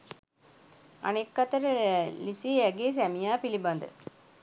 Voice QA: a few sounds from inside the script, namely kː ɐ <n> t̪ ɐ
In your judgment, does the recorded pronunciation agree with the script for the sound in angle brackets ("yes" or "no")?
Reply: no